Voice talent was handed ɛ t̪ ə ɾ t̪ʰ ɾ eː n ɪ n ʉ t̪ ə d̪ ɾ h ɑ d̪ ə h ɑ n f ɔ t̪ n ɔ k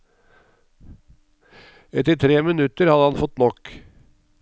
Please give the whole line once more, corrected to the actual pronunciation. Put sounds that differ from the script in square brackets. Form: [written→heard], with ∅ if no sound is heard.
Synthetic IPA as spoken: ɛ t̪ ə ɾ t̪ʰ ɾ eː [n→m] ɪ n ʉ t̪ ə [d̪→∅] ɾ h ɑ d̪ ə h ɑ n f ɔ t̪ n ɔ k